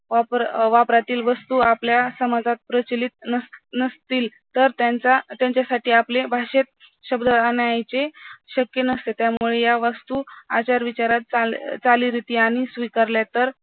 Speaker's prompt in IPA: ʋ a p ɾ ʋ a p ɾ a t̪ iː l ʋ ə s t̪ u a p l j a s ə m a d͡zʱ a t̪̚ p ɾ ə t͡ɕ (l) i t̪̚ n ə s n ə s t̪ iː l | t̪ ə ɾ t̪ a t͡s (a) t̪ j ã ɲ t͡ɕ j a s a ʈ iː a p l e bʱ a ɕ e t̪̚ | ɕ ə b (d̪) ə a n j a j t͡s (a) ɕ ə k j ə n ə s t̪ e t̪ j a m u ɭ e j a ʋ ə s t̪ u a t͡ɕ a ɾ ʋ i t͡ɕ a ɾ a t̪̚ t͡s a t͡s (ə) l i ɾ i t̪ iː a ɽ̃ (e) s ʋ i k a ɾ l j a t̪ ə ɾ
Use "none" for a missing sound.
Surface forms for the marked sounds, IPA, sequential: l, a, d̪, e, a, i

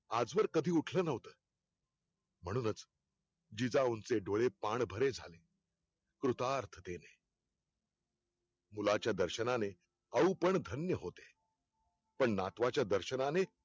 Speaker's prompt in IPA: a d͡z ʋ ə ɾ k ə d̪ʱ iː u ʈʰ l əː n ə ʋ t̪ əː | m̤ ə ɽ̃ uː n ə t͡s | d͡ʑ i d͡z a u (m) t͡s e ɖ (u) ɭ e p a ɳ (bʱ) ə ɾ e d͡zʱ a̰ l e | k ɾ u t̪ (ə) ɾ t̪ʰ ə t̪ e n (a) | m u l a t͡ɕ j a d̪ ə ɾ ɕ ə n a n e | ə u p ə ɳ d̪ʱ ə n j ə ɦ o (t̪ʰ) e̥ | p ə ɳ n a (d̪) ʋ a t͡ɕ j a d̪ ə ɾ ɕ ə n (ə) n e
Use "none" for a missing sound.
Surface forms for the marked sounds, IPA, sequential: n, o, bʱ, a, e, t̪, t̪, a

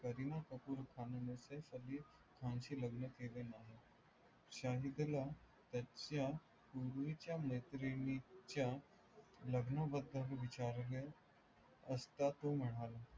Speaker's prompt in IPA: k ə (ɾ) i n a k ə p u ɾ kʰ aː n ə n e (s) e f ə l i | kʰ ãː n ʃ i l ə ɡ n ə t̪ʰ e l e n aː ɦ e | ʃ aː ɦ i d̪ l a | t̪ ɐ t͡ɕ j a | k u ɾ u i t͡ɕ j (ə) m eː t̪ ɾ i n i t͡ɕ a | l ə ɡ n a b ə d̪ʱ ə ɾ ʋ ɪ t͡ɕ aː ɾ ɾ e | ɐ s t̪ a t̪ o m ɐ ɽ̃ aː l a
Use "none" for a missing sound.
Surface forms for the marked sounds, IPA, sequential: ɾ, s, a

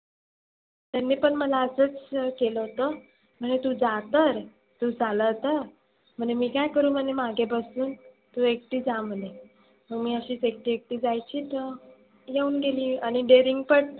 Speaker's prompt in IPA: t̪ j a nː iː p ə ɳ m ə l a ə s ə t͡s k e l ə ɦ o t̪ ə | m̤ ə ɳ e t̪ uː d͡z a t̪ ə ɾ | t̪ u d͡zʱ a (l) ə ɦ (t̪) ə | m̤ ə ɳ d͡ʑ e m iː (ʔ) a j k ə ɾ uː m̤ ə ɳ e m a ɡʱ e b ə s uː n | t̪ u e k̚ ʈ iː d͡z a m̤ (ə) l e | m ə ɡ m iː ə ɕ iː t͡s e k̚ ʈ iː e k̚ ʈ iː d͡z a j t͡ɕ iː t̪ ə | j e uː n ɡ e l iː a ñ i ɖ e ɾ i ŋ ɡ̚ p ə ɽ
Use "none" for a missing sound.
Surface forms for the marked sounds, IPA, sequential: l, t̪, k, ə

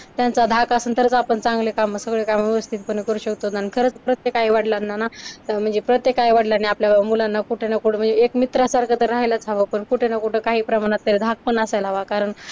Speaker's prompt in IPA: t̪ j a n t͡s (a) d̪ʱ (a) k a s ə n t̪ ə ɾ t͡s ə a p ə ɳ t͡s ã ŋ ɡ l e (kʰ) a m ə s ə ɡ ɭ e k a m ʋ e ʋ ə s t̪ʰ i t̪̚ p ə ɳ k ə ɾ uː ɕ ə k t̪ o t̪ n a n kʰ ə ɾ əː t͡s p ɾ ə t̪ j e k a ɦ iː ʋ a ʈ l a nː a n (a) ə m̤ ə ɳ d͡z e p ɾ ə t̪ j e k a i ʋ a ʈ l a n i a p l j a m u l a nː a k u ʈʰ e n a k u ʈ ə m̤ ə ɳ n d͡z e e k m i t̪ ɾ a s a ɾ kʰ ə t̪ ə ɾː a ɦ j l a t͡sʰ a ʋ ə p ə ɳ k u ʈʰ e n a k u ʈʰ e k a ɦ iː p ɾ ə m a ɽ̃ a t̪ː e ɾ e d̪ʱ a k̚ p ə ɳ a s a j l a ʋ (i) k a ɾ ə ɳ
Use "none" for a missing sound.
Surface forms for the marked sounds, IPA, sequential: a, a, k, a, a

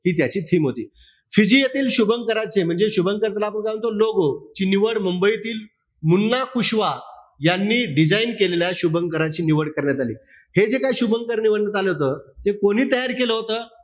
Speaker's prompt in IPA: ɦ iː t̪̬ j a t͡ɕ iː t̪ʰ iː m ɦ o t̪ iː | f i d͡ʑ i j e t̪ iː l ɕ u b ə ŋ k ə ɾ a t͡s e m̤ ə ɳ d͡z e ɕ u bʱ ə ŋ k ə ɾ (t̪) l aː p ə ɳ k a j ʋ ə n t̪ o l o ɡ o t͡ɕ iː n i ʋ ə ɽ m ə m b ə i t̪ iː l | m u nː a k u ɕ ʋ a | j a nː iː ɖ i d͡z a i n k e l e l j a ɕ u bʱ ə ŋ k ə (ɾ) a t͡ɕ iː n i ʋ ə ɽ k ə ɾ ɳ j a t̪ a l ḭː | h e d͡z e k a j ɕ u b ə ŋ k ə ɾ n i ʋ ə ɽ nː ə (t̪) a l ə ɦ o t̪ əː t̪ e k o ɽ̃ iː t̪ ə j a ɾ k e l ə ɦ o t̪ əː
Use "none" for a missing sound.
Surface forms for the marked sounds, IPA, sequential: t̪, ɾ, t̪

